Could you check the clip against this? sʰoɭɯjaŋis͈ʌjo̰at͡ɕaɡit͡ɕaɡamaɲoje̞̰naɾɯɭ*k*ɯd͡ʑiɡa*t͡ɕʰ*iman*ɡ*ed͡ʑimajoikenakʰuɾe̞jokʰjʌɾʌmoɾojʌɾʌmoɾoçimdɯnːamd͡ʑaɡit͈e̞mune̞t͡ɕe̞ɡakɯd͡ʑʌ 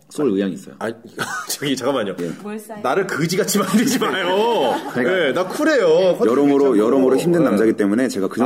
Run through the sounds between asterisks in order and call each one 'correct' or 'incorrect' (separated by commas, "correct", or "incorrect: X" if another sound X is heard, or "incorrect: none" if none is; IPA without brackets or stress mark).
correct, correct, incorrect: d